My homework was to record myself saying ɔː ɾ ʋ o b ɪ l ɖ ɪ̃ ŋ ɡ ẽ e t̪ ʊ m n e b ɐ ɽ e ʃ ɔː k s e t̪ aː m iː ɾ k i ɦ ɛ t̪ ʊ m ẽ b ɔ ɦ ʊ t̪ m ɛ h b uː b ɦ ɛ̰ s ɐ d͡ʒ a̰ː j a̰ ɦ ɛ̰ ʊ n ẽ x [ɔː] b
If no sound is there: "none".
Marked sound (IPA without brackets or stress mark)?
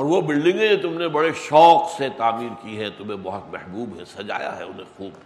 uː